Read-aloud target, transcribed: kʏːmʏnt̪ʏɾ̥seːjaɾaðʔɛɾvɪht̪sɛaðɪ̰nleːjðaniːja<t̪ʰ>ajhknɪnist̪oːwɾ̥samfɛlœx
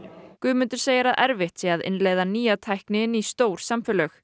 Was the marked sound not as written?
no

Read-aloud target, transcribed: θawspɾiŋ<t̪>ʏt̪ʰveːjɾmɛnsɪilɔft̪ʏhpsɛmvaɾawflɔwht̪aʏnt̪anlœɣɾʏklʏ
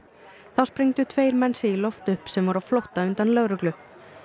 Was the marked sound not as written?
no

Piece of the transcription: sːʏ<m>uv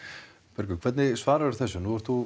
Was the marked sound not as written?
yes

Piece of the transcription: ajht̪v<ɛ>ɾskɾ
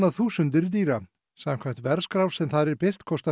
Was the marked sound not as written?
no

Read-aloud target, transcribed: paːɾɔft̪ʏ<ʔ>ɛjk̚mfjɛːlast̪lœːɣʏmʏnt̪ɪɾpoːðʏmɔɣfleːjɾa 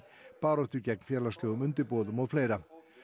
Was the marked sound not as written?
yes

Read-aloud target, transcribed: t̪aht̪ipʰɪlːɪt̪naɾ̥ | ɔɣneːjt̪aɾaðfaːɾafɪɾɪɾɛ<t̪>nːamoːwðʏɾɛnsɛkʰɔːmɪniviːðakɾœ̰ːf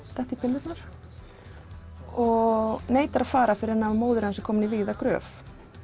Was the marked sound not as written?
yes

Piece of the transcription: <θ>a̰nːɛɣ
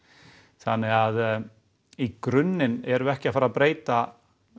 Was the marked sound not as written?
no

